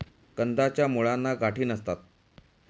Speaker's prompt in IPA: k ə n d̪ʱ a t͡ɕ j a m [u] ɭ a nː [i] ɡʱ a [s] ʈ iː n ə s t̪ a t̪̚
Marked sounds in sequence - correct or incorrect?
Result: correct, incorrect: a, incorrect: none

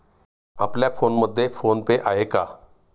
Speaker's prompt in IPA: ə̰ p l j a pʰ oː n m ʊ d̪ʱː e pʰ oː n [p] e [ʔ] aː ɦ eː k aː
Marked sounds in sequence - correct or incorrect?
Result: correct, correct

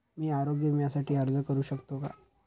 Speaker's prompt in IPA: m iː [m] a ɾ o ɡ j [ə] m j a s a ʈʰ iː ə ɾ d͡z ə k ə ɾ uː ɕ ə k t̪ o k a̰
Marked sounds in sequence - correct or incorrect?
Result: incorrect: none, correct

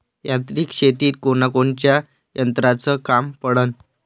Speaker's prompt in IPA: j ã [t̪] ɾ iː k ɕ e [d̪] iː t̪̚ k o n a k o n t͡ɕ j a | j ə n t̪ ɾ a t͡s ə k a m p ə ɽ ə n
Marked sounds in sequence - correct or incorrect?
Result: correct, incorrect: t̪

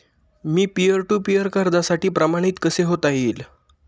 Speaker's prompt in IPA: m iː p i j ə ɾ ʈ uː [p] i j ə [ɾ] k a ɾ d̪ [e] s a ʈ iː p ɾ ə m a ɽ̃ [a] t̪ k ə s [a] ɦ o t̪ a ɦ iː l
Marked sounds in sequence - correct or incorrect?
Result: correct, correct, incorrect: a, incorrect: i, incorrect: e

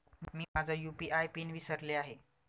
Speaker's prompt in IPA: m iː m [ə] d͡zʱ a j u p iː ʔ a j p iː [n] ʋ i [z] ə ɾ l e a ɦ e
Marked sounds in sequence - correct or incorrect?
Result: incorrect: a, correct, incorrect: s

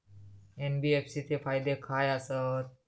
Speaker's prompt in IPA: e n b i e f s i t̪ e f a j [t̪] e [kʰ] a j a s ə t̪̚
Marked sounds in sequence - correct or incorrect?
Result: incorrect: d̪, correct

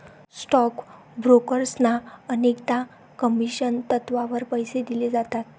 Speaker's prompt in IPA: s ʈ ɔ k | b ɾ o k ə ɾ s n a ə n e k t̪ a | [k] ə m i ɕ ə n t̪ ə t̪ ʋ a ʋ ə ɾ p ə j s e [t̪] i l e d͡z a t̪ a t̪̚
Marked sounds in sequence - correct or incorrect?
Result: correct, incorrect: d̪

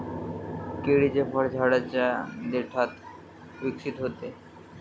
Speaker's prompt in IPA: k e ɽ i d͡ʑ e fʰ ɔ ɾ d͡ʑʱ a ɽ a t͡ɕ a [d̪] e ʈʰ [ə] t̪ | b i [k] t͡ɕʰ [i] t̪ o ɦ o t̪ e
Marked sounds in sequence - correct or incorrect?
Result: correct, incorrect: a, correct, correct

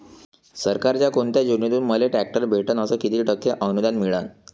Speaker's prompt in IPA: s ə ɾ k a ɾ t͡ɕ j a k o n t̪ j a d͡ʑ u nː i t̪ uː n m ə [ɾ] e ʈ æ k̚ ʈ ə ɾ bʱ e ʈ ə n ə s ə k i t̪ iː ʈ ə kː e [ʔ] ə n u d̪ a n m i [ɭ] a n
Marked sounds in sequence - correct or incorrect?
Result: incorrect: l, correct, correct

